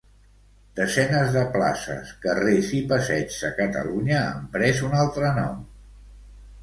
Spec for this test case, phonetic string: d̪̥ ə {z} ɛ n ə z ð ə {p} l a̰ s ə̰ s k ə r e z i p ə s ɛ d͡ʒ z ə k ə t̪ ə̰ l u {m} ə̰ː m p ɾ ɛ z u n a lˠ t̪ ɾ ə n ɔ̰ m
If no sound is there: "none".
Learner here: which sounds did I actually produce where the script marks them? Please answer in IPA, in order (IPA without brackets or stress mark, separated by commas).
z, p, ɲ